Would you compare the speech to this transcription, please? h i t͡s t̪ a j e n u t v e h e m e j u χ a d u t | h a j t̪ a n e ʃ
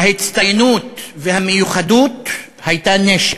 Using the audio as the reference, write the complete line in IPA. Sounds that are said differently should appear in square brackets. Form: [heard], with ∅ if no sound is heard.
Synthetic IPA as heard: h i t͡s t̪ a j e n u t v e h [a] m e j u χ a d u t | h a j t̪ a n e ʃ